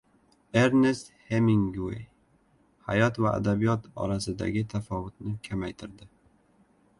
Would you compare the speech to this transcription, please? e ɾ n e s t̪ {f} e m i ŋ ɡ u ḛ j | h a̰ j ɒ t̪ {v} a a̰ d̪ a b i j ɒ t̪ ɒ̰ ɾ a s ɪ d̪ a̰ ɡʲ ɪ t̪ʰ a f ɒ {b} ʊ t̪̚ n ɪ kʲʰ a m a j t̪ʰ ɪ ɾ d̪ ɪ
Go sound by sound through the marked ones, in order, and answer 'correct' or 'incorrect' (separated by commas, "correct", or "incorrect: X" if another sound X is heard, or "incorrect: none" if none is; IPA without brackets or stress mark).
incorrect: h, correct, incorrect: v